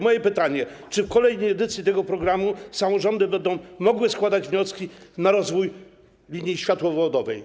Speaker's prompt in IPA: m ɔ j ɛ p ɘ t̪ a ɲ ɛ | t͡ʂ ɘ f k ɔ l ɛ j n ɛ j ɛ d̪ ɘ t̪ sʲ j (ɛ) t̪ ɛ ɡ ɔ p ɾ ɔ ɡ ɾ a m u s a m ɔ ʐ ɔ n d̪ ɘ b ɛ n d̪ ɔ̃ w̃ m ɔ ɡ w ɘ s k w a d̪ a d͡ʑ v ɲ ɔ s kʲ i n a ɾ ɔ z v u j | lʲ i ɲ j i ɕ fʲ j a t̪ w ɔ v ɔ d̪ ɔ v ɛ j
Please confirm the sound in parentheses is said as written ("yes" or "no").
no